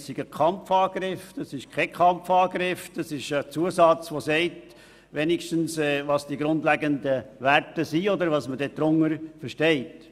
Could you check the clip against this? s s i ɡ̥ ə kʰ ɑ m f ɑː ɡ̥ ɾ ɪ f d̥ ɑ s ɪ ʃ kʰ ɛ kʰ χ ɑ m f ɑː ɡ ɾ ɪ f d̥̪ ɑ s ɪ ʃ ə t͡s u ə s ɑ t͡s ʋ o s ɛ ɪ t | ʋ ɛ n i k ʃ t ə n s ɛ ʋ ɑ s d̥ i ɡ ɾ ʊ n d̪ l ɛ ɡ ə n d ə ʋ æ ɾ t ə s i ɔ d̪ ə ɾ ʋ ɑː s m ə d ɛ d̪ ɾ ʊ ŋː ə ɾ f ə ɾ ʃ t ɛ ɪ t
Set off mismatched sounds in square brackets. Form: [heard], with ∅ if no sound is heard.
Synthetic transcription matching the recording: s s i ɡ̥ ə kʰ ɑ m f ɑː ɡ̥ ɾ ɪ f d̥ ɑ s ɪ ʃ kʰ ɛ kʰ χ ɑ m f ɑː ɡ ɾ ɪ f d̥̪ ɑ s ɪ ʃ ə t͡s u ə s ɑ t͡s ʋ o s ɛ ɪ t | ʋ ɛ n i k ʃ t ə n s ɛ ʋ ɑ s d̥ i ɡ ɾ ʊ n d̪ l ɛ ɡ ə n d ə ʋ æ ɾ t ə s i ɔ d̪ ə ɾ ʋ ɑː s m ə d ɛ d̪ ɾ ʊ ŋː ə ɾ f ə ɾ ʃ t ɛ ɪ t